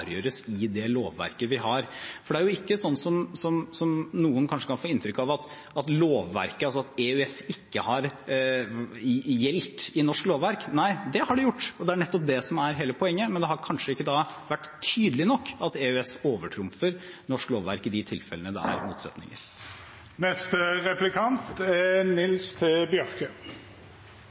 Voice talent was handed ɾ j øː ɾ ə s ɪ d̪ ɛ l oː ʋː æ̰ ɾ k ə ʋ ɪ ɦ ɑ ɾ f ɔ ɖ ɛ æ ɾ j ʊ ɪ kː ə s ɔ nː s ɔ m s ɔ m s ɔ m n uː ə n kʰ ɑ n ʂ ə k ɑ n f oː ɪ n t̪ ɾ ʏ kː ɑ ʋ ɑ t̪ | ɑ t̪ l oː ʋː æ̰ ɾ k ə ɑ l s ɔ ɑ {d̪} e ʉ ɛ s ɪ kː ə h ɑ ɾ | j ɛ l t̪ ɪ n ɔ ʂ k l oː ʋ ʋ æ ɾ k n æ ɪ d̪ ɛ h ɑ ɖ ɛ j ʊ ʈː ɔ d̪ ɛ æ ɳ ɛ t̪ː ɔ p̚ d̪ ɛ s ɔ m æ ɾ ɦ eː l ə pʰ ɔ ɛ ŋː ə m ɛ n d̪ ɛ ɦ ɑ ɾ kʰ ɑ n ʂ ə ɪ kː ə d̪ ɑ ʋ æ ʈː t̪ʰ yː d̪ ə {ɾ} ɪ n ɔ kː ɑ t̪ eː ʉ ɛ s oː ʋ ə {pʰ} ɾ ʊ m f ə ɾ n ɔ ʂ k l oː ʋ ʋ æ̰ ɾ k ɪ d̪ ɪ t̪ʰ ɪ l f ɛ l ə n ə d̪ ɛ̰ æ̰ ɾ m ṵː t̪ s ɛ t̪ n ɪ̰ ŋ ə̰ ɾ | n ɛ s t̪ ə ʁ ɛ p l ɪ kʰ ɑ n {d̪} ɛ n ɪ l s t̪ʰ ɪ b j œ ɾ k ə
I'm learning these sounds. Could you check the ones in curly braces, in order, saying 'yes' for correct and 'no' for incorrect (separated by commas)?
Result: no, no, no, no